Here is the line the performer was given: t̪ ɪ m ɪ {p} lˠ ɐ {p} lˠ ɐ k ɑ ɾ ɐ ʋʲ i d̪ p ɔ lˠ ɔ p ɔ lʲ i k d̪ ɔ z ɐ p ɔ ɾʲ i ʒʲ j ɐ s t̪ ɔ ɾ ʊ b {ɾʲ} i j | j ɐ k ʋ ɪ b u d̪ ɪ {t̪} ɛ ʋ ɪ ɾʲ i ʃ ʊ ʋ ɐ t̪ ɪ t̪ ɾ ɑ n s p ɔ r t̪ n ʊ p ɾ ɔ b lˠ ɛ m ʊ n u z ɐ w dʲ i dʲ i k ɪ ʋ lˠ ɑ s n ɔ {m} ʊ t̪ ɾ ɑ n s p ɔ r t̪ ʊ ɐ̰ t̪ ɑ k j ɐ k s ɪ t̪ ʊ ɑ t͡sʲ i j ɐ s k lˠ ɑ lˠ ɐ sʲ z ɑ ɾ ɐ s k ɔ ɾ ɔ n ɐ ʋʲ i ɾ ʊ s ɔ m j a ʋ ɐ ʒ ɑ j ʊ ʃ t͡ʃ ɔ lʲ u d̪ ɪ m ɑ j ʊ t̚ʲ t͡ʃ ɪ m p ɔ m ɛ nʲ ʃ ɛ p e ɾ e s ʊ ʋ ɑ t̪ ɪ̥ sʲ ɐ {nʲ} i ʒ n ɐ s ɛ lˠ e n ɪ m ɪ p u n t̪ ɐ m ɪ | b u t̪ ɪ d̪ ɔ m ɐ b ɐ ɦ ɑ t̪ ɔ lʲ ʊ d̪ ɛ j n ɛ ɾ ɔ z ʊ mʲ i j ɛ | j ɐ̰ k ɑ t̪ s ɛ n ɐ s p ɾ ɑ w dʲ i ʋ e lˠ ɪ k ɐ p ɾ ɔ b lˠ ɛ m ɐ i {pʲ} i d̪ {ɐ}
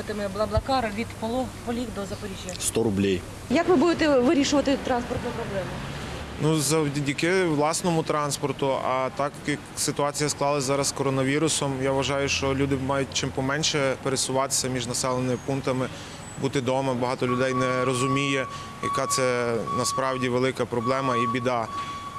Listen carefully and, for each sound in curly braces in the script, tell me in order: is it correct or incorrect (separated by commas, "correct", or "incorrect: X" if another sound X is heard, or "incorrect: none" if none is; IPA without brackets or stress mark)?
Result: incorrect: b, incorrect: b, incorrect: lʲ, correct, correct, incorrect: mʲ, incorrect: bʲ, incorrect: ɑ